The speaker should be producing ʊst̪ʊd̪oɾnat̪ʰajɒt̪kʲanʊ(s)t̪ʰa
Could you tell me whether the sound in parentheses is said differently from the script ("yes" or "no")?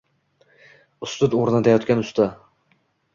no